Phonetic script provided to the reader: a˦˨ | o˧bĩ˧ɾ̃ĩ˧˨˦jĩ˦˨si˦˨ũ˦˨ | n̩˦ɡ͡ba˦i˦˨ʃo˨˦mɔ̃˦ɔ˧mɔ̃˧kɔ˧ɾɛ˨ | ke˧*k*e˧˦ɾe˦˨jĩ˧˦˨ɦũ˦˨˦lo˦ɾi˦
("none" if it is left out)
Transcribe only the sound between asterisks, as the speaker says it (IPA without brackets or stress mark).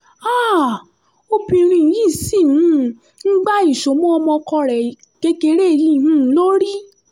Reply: k